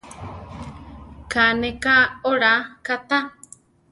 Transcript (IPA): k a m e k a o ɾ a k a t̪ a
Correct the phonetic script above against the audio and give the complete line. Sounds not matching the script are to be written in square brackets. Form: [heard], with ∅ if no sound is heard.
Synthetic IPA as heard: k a [n] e k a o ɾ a k a t̪ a